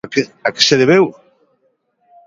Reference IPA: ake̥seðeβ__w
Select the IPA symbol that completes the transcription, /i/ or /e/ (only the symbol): e